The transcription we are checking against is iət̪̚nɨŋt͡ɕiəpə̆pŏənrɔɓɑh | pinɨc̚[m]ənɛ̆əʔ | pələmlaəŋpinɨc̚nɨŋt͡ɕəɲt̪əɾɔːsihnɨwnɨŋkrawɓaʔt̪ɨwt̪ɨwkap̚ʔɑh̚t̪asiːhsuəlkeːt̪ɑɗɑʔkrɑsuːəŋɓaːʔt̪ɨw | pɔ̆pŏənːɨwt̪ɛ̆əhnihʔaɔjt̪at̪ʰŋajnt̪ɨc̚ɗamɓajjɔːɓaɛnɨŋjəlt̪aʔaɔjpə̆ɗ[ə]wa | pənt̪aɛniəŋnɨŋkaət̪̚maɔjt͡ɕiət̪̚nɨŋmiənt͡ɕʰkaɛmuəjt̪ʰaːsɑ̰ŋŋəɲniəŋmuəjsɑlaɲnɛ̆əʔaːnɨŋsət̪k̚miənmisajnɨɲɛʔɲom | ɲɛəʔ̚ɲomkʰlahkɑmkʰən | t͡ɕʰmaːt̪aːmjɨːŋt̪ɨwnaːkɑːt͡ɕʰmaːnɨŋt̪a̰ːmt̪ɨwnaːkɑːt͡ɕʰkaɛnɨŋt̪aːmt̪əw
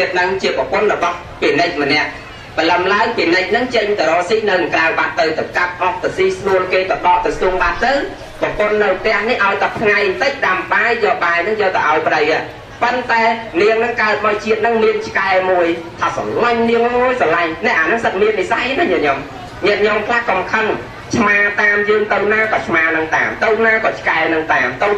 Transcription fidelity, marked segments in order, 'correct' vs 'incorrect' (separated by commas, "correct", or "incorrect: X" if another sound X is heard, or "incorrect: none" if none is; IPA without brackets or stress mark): correct, correct